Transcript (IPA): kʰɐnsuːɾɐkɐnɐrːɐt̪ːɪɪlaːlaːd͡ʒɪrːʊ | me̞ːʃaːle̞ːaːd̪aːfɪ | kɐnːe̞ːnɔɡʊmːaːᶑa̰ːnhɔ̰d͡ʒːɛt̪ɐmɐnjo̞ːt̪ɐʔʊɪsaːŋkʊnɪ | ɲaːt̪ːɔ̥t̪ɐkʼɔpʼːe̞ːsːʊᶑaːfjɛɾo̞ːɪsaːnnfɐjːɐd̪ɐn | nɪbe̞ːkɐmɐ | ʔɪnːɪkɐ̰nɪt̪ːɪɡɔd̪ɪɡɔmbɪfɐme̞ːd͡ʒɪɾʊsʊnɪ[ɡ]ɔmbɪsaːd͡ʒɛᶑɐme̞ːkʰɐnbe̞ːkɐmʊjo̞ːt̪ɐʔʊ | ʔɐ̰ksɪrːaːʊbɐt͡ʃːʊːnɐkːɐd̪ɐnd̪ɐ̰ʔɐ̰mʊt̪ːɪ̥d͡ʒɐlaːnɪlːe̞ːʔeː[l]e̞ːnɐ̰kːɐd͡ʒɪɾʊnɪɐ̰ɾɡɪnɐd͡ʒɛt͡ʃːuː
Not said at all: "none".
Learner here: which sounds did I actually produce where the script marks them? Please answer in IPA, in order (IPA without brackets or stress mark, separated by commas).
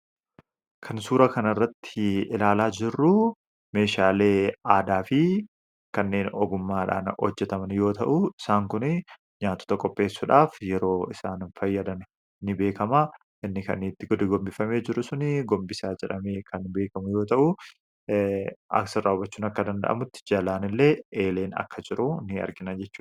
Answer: ɡ, l